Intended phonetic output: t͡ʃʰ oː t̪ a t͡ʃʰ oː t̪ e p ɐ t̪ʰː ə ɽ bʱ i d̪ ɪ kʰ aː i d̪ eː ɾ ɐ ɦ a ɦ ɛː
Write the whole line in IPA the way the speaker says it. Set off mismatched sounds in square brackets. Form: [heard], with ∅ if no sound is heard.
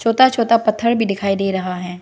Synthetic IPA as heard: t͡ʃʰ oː t̪ a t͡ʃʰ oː t̪ [a] p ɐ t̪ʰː ə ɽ bʱ i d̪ ɪ kʰ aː i d̪ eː ɾ ɐ ɦ a ɦ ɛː